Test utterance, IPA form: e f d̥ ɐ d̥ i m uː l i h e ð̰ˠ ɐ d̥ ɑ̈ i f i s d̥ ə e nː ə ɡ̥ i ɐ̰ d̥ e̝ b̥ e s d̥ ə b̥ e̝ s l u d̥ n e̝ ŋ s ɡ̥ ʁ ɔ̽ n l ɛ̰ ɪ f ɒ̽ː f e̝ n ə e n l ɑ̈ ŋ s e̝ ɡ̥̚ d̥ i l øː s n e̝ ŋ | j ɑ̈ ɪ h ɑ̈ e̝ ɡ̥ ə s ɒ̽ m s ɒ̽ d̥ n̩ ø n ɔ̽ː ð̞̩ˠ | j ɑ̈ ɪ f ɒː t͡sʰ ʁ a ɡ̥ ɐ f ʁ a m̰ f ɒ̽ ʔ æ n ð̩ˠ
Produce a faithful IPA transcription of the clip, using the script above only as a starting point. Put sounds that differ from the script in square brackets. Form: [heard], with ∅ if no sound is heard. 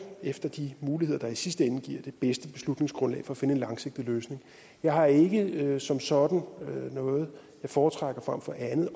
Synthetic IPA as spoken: e f d̥ ɐ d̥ i m uː l i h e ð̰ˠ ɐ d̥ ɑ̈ i [s] i s d̥ ə e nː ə ɡ̥ i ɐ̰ d̥ e̝ b̥ e s d̥ ə b̥ e̝ s l u d̥ n e̝ ŋ s ɡ̥ ʁ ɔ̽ n l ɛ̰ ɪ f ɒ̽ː f e̝ n ə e n l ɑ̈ ŋ s e̝ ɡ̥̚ d̥ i l øː s n e̝ ŋ | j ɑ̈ ɪ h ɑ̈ e̝ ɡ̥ ə s ɒ̽ m s ɒ̽ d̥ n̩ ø n ɔ̽ː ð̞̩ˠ | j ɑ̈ ɪ f ɒː t͡sʰ ʁ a ɡ̥ ɐ f ʁ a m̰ f ɒ̽ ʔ æ n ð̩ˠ